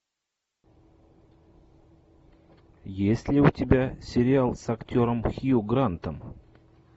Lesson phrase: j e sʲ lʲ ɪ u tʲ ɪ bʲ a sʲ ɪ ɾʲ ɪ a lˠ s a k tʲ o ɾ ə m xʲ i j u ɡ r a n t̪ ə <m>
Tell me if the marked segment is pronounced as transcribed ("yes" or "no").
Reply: yes